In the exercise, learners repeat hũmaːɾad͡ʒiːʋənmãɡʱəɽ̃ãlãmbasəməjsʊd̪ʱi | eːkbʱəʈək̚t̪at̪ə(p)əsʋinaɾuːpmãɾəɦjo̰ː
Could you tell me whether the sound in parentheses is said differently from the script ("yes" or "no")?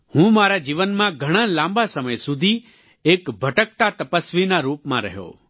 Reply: no